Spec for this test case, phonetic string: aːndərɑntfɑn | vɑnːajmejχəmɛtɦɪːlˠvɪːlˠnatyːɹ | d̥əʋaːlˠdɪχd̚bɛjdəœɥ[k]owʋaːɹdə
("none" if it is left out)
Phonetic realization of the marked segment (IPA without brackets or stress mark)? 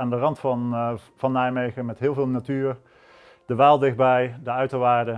t